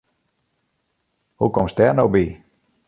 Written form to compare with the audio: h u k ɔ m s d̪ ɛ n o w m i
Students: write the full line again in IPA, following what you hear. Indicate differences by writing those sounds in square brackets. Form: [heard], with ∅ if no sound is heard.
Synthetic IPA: h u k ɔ m s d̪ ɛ n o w [b] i